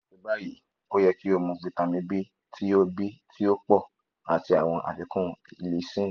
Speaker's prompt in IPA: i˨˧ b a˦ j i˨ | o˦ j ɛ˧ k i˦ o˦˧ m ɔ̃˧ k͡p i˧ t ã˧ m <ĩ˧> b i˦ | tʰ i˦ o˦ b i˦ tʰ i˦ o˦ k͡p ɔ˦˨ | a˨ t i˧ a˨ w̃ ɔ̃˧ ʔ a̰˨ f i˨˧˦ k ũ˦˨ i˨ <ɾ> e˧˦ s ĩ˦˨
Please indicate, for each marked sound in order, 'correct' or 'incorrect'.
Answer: correct, incorrect: l

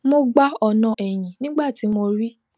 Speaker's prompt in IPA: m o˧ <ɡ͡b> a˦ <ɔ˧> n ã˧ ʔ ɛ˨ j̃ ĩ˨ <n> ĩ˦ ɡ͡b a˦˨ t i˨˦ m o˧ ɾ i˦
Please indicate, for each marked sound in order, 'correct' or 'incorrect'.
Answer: correct, correct, correct

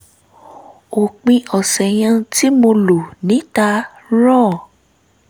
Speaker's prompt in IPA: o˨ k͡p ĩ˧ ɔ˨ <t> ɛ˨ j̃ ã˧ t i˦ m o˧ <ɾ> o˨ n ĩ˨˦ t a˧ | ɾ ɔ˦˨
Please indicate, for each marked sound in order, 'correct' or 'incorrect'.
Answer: incorrect: s, incorrect: l

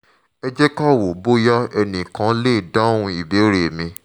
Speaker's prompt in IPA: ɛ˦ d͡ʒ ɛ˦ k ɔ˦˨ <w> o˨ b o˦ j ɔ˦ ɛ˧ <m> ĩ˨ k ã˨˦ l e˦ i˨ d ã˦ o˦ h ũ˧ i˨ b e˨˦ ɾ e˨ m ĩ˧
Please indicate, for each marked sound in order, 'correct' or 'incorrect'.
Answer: correct, incorrect: n

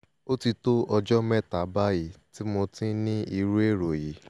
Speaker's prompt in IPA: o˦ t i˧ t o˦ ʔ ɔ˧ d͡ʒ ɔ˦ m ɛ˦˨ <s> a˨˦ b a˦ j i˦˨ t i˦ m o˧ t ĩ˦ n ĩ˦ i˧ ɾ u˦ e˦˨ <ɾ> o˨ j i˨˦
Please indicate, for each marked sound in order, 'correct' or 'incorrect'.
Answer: incorrect: t, correct

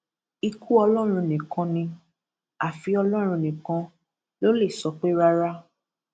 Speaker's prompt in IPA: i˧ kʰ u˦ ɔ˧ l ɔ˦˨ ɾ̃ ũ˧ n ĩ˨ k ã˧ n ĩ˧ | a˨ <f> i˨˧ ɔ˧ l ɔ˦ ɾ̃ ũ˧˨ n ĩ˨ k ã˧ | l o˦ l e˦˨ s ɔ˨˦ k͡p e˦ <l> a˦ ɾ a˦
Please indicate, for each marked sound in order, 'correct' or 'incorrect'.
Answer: correct, incorrect: ɾ

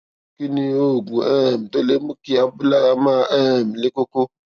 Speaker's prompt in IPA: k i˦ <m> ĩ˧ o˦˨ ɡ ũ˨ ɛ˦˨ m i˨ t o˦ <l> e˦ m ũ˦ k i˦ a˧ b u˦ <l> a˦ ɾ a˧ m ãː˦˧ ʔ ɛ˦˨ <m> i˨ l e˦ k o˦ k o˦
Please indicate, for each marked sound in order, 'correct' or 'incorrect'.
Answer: incorrect: n, correct, correct, correct

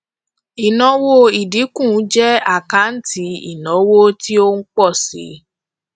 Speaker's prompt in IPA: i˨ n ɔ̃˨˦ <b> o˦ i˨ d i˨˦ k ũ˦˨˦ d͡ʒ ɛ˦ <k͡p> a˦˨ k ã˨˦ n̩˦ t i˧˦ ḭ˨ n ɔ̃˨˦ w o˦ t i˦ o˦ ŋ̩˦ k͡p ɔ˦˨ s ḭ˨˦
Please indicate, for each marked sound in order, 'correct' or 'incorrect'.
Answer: incorrect: w, incorrect: none

